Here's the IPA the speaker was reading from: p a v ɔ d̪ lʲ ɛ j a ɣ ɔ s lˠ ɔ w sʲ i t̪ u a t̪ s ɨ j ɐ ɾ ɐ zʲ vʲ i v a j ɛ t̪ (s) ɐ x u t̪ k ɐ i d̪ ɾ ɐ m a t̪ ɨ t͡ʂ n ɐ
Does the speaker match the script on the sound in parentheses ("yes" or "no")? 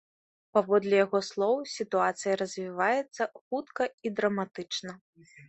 no